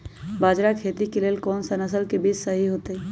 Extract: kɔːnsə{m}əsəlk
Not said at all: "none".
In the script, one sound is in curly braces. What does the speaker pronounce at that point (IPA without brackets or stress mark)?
n